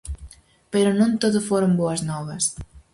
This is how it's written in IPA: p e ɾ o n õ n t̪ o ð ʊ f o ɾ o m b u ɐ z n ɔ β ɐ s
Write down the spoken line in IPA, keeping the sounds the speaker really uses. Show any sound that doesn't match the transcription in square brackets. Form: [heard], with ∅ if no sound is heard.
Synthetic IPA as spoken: p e ɾ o n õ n t̪ o ð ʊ f o ɾ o m b [o] ɐ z n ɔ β ɐ s